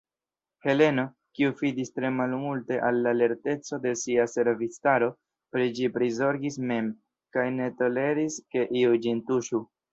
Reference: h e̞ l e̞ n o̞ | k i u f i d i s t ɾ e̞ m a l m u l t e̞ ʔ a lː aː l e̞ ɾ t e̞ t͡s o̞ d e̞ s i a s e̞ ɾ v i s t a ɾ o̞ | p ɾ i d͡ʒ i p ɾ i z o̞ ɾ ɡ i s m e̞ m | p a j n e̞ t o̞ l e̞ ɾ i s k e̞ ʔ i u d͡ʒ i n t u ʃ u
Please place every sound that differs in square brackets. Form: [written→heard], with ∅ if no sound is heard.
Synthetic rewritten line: h e̞ l e̞ n o̞ | k i u f i d i s t ɾ e̞ m a l m u l t e̞ ʔ a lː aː l e̞ ɾ t e̞ t͡s o̞ d e̞ s i a s e̞ ɾ v i s t a ɾ o̞ | p ɾ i d͡ʒ i p ɾ i z o̞ ɾ ɡ i s m e̞ m | [p→k] a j n e̞ t o̞ l e̞ ɾ i s k e̞ ʔ i u d͡ʒ i n t u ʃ u